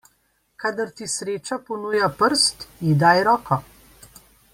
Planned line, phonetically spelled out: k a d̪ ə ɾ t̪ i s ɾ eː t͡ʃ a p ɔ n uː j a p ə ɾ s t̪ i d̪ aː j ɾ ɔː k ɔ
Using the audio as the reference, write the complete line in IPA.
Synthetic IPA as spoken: k a d̪ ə ɾ t̪ i s ɾ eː t͡ʃ a p ɔ n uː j a p ə ɾ s t̪ i d̪ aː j ɾ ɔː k ɔ

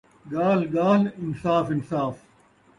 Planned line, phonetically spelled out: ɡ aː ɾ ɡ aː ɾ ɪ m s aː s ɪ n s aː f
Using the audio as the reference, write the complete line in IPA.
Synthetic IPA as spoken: ɡ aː l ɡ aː l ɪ n s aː f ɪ n s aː f

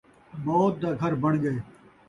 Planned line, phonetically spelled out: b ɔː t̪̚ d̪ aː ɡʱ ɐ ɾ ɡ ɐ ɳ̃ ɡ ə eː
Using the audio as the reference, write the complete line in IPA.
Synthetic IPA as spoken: b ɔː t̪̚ d̪ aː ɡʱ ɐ ɾ b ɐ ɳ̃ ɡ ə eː

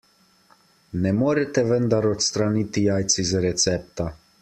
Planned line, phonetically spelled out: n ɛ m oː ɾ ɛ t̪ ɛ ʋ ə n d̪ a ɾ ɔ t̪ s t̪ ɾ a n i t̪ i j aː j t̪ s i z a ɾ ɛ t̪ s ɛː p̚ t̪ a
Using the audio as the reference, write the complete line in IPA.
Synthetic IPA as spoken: n ɛ m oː ɾ ɛ t̪ ɛ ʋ ə n d̪ a ɾ ɔ t̪ s t̪ ɾ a n i t̪ i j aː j t̪ s i z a ɾ ɛ t̪ s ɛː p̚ t̪ a

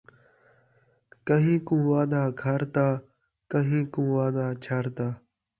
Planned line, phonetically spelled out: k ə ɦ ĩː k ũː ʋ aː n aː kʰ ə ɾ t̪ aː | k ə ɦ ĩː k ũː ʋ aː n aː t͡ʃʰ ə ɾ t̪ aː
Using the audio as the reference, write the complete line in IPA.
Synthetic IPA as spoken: k ə ɦ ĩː k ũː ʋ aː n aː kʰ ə ɾ t̪ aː | k ə ɦ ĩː k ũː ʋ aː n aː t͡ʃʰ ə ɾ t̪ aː

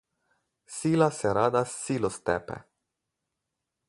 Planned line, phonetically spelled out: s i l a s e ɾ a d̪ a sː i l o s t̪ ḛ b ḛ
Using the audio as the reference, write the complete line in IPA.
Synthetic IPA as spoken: s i l a s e ɾ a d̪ a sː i l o s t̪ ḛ p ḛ

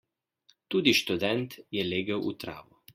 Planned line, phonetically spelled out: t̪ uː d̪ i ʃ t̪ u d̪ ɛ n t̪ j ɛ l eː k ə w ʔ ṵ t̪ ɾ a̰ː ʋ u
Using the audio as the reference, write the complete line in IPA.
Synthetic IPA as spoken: t̪ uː d̪ i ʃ t̪ u d̪ ɛ n t̪ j ɛ l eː ɡ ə w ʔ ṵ t̪ ɾ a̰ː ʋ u

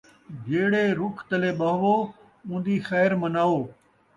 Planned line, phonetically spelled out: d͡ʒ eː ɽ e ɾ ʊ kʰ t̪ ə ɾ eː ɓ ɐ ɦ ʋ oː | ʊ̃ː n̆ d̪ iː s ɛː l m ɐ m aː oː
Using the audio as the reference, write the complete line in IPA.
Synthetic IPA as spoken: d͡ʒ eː ɽ e ɾ ʊ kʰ t̪ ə l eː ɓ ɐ ɦ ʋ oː | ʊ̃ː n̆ d̪ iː x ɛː ɾ m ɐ n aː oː

